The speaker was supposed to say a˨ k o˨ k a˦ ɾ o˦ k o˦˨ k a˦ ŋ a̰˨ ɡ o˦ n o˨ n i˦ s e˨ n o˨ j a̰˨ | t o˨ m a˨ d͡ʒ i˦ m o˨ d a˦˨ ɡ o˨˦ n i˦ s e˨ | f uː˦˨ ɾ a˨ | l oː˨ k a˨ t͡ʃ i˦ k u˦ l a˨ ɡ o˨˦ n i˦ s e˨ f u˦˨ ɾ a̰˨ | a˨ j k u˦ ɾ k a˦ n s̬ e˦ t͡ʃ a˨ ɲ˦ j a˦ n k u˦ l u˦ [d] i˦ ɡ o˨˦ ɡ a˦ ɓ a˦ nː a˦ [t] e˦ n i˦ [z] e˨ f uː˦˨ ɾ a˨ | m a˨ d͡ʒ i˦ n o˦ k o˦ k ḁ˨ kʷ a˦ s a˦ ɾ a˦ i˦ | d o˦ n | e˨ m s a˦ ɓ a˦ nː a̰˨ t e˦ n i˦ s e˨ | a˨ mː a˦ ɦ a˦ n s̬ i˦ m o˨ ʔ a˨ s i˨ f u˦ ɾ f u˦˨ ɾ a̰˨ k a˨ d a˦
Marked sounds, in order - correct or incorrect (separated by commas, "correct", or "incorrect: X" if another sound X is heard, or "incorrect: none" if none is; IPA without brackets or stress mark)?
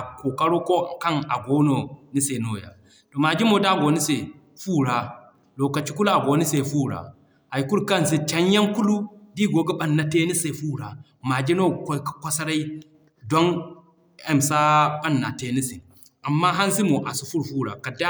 correct, correct, incorrect: s